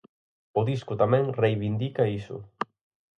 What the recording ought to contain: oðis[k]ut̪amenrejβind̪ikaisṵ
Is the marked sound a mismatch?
no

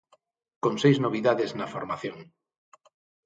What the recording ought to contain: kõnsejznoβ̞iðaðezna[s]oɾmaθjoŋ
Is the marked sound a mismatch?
yes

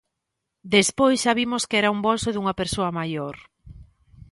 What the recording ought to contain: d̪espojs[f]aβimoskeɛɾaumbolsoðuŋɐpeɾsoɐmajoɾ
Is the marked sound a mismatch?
yes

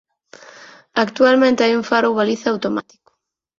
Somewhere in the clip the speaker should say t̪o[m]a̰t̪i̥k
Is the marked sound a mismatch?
no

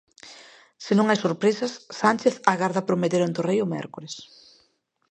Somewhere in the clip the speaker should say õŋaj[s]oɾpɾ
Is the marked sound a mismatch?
no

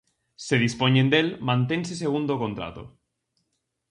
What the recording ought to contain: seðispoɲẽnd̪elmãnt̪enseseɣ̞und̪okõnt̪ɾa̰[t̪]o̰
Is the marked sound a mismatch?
no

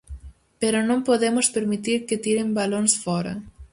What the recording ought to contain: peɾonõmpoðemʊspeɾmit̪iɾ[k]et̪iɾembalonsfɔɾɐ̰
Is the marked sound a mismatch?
no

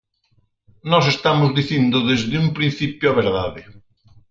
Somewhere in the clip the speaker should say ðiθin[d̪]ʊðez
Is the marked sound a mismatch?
no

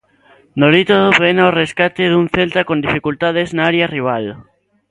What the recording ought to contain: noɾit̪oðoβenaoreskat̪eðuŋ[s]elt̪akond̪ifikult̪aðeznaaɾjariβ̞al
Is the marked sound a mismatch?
yes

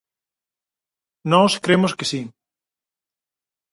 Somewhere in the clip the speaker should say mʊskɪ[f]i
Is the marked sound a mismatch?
yes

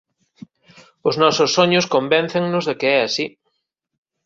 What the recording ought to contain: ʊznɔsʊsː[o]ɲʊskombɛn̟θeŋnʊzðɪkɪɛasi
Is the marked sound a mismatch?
no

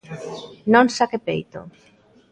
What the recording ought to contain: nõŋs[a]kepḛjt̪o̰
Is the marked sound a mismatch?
no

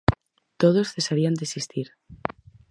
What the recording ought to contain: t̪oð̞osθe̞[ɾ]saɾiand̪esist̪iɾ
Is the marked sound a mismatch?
yes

